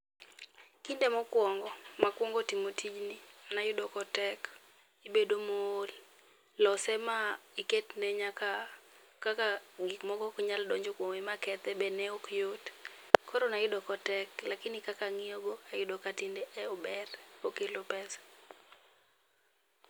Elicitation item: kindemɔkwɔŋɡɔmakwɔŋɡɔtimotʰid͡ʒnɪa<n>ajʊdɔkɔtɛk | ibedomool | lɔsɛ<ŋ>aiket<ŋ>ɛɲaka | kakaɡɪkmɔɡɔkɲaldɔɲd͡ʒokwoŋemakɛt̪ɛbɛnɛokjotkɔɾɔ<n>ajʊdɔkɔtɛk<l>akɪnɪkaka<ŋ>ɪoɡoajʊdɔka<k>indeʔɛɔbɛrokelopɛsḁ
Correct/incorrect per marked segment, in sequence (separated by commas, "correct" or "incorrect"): correct, incorrect, incorrect, correct, correct, correct, incorrect